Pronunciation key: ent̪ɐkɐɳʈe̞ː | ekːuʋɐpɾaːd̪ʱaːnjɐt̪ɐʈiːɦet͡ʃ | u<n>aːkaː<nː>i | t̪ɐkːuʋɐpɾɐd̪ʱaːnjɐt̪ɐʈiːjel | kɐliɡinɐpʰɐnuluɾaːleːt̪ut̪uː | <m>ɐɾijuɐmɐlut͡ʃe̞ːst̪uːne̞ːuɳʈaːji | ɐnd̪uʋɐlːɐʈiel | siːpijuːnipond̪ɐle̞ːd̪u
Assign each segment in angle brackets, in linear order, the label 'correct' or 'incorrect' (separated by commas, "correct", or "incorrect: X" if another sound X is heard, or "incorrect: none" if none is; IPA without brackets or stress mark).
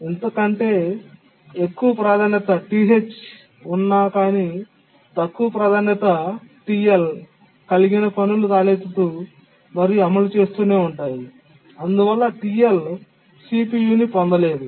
incorrect: nː, incorrect: n, correct